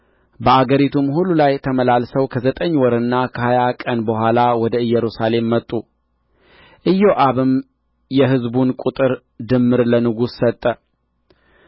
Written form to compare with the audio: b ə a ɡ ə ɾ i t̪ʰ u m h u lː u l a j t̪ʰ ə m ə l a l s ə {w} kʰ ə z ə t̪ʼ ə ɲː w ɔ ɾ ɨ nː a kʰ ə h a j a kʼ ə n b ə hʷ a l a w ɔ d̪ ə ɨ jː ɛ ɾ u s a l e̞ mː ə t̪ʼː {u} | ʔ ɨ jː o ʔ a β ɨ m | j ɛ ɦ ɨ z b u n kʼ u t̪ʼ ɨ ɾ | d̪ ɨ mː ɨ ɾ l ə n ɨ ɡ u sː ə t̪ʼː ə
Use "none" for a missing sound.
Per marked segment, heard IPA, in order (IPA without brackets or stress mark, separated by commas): w, u